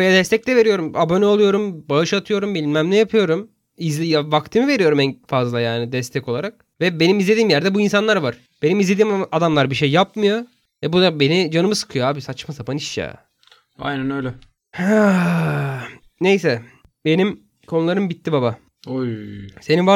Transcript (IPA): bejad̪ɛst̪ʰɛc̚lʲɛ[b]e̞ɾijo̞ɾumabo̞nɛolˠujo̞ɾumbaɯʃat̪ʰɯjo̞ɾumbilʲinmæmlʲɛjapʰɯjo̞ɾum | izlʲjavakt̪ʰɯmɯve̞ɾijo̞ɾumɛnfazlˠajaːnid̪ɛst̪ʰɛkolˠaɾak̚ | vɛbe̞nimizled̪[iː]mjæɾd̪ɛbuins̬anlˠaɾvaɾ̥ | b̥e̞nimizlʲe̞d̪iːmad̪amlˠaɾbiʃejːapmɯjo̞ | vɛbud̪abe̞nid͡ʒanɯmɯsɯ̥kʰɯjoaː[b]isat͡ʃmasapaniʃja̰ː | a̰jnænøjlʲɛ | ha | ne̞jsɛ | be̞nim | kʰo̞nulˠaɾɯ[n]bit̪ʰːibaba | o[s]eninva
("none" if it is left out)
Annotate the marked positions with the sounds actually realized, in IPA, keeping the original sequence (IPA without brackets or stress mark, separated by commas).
v, iː, b, m, s